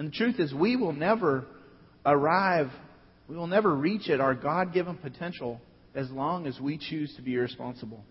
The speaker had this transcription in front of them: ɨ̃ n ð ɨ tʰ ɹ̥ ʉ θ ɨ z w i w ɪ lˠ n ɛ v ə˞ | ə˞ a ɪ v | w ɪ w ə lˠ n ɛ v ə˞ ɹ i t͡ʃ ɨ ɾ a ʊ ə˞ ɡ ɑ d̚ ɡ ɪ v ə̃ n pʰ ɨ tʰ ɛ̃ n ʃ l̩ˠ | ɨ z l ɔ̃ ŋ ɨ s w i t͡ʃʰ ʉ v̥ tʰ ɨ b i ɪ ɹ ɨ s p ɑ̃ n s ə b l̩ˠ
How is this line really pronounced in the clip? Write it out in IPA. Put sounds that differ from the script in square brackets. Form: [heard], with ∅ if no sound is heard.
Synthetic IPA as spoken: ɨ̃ n ð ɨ tʰ ɹ̥ ʉ θ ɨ z w i w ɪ lˠ n ɛ v ə˞ | ə˞ a ɪ v | w [i] w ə lˠ n ɛ v ə˞ ɹ i t͡ʃ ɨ ɾ a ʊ ə˞ ɡ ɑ d̚ ɡ ɪ v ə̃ n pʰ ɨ tʰ ɛ̃ n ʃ l̩ˠ | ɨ z l ɔ̃ ŋ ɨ [z] w i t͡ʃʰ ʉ [z̥] tʰ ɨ b i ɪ ɹ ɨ s p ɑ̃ n s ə b l̩ˠ